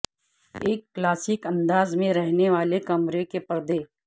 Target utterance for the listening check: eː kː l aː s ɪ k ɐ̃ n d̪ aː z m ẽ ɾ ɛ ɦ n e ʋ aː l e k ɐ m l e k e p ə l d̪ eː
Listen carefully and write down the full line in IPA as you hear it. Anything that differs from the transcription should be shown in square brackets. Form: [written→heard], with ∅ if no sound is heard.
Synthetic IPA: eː kː l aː s ɪ k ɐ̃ n d̪ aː z m ẽ ɾ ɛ ɦ n e ʋ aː l e k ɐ m [l→ɾ] e k e p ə [l→ɾ] d̪ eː